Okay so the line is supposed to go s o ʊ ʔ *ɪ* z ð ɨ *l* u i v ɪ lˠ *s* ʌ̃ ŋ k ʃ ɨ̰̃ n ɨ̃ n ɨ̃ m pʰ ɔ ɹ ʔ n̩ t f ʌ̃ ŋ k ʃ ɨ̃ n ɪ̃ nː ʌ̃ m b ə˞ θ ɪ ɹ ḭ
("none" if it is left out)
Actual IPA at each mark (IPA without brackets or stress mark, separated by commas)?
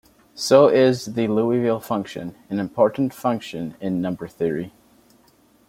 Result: ɪ, l, f